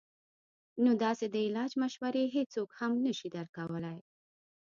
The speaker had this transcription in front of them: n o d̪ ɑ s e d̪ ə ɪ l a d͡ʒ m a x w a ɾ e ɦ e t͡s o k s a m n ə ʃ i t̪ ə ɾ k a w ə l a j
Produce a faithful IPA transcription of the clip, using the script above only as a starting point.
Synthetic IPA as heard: n o d̪ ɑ s e d̪ ə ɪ l ɑ d͡ʒ m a ʃ w a ɾ e ɦ e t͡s o k h a m n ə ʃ i d̪ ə ɾ k a w ə l a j